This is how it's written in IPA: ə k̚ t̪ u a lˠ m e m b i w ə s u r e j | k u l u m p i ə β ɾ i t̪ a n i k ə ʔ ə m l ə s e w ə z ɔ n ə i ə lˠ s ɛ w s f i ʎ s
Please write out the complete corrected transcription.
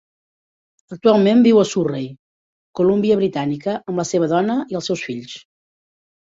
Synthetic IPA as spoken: ə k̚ t̪ u a lˠ m e m b i w ə s u r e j | k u l u m b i ə β ɾ i t̪ a n i k ə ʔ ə m l ə s e β ə ð ɔ n ə i ə lˠ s ɛ w s f i ʎ s

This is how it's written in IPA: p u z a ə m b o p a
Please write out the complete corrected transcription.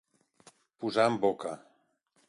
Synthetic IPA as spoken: p u z a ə m b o k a

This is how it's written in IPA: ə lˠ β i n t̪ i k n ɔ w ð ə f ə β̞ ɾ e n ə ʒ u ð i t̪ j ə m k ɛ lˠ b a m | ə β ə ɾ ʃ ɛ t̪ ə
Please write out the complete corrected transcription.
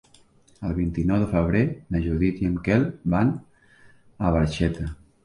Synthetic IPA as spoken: ə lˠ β i n t̪ i n ɔ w ð ə f ə β̞ ɾ e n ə ʒ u ð i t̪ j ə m k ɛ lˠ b a n | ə β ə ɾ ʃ ɛ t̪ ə

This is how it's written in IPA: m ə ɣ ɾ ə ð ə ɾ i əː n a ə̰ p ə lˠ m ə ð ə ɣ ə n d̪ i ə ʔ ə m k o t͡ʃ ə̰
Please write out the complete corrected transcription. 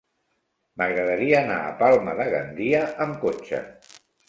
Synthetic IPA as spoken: m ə ɣ ɾ ə ð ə ɾ i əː n a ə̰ p a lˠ m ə ð ə ɣ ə n d̪ i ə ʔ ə m k o t͡ʃ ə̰

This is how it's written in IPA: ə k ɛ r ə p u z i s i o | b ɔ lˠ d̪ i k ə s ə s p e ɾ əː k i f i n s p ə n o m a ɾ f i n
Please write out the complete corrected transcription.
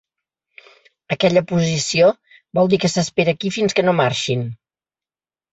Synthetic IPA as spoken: ə k ɛ ʎ ə p u z i s i o | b ɔ lˠ d̪ i k ə s ə s p e ɾ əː k i f i n s k ə n o m a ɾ ʃ i n

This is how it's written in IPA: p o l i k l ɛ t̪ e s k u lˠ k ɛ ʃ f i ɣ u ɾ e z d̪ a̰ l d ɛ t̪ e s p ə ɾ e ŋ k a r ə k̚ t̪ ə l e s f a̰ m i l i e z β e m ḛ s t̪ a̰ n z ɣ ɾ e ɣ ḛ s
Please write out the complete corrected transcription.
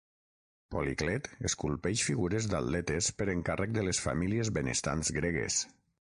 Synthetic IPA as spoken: p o l i k l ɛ t̪ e s k u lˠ p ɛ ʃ f i ɣ u ɾ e z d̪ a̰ l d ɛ t̪ e s p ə ɾ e ŋ k a r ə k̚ d̪ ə l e s f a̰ m i l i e z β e n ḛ s t̪ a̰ n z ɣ ɾ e ɣ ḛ s

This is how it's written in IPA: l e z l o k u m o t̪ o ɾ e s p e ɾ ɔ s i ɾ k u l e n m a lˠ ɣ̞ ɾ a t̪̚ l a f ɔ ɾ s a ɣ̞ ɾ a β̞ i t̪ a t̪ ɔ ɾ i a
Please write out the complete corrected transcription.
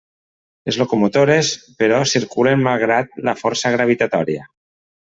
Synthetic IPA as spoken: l e z l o k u m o t̪ o ɾ e s p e ɾ ɔ s i ɾ k u l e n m a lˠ ɣ̞ ɾ a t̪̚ l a f ɔ ɾ s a ɣ̞ ɾ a β̞ i t̪ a t̪ ɔ ɾ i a

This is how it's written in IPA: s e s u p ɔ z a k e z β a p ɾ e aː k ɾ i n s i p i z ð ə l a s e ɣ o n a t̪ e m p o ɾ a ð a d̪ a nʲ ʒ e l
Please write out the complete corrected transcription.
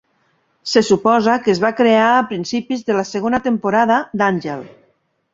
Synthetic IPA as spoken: s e s u p ɔ z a k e z β a k ɾ e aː p ɾ i n s i p i z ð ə l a s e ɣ o n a t̪ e m p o ɾ a ð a d̪ a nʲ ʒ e l

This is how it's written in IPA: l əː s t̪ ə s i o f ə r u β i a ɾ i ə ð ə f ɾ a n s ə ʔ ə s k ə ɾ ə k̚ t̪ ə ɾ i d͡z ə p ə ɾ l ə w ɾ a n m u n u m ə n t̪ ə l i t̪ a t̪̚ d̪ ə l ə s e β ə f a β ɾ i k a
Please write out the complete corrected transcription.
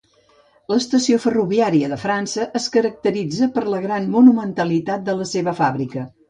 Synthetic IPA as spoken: l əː s t̪ ə s i o f ə r u β i a ɾ i ə ð ə f ɾ a n s ə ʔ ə s k ə ɾ ə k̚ t̪ ə ɾ i d͡z ə p ə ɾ l ə ɣ ɾ a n m u n u m ə n t̪ ə l i t̪ a t̪̚ d̪ ə l ə s e β ə f a β ɾ i k ə

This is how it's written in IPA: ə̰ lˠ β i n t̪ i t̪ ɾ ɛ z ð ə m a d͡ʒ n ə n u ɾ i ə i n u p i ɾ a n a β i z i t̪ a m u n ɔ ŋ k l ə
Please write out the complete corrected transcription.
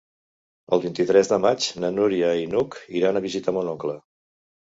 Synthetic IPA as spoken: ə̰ lˠ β i n t̪ i t̪ ɾ ɛ z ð ə m a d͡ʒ n ə n u ɾ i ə i n u k i ɾ a n ə β i z i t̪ a m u n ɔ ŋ k l ə

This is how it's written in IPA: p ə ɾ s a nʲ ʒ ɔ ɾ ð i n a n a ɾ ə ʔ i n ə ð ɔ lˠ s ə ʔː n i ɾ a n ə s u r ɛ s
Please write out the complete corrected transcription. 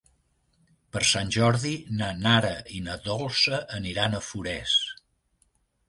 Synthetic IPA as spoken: p ə ɾ s a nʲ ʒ ɔ ɾ ð i n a n a ɾ ə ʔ i n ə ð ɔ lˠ s ə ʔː n i ɾ a n ə f u ɾ ɛ s

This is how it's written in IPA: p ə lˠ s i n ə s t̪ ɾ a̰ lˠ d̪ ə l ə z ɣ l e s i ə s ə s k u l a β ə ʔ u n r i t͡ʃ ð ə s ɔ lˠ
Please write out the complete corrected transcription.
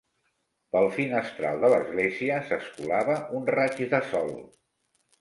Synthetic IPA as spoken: p ə lˠ f i n ə s t̪ ɾ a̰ lˠ d̪ ə l ə z ɣ l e z i ə s ə s k u l a β ə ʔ u n r a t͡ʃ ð ə s ɔ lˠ

